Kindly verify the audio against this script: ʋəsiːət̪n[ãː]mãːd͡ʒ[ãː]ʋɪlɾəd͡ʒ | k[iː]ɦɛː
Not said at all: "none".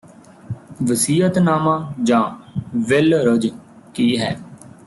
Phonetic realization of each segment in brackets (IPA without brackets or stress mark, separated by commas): aː, ãː, iː